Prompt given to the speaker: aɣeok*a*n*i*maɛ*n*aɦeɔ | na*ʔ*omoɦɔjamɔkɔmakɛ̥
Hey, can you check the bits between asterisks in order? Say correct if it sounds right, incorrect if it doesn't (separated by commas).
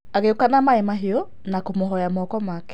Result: correct, incorrect, incorrect, incorrect